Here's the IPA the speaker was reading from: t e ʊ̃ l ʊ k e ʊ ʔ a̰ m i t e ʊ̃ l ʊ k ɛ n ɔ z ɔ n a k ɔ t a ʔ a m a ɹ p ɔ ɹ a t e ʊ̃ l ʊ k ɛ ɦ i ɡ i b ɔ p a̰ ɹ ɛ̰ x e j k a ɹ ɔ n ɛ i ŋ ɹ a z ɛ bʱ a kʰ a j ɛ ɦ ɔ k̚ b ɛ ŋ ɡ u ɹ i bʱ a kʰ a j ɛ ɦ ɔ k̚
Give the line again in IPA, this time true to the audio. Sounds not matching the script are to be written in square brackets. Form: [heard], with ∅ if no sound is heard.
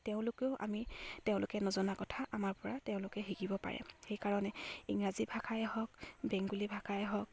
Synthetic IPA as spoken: t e ʊ̃ l ʊ k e ʊ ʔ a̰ m i t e ʊ̃ l ʊ k ɛ n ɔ z ɔ n a k ɔ [tʰ] a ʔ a m a ɹ p ɔ ɹ a t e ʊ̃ l ʊ k ɛ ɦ i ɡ i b ɔ p a̰ ɹ ɛ̰ x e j k a ɹ ɔ n ɛ i ŋ ɹ a z [i] bʱ a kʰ a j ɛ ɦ ɔ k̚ b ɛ ŋ ɡ u [l] i bʱ a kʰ a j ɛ ɦ ɔ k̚